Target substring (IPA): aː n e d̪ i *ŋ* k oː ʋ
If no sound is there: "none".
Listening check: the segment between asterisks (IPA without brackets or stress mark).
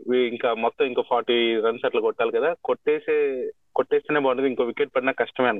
ŋ